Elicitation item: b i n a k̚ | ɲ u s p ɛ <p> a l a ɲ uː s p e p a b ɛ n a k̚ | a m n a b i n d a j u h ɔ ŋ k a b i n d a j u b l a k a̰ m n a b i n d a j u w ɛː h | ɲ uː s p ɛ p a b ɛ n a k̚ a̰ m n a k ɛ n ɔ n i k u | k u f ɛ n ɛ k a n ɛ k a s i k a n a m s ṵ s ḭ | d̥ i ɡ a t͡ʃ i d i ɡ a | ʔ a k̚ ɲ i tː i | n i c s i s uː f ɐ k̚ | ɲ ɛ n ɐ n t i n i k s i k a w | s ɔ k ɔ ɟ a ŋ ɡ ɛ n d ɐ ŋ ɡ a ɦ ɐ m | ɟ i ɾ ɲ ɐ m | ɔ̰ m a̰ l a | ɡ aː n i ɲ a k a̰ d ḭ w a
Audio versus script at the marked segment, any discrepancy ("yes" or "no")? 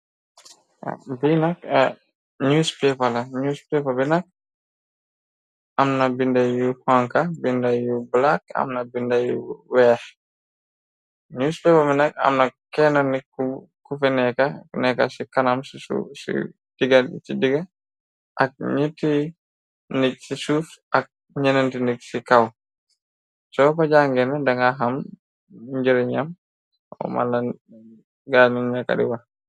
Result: no